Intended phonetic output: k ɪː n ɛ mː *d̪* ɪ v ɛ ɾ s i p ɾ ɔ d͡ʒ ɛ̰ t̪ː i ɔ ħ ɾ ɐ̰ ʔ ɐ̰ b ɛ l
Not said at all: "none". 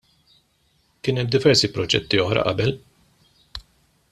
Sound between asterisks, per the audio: d̪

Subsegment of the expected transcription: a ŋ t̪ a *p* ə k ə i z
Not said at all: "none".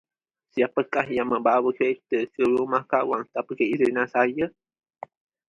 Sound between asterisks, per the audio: p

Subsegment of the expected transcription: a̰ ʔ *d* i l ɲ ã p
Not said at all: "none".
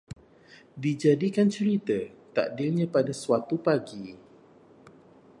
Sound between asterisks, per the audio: d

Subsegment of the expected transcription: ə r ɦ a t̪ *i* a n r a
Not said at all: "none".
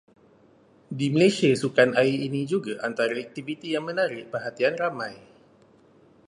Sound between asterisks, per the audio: i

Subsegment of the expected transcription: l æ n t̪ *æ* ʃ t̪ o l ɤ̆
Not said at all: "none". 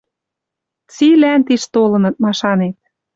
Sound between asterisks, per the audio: i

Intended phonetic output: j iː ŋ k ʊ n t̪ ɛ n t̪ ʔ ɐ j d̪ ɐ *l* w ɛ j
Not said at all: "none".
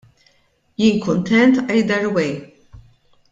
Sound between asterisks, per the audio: ɾ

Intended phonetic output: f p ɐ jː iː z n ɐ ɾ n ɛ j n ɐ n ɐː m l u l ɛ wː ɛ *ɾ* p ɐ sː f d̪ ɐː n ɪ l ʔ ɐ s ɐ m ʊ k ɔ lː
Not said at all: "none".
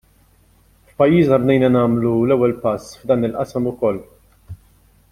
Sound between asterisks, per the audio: l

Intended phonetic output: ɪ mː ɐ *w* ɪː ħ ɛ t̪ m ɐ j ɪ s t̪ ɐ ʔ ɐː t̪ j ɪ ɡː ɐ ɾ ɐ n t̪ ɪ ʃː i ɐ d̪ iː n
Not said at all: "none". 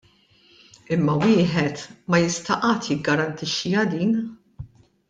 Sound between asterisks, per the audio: w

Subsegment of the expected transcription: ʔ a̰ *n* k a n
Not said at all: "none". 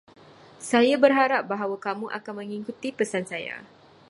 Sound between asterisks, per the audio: none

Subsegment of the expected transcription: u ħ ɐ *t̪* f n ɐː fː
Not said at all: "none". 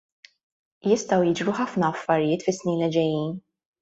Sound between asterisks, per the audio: none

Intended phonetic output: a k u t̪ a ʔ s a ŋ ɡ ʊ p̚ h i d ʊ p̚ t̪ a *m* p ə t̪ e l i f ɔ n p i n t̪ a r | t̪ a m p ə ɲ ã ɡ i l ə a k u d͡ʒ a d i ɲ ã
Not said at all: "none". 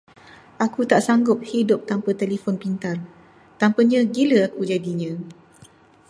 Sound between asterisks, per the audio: m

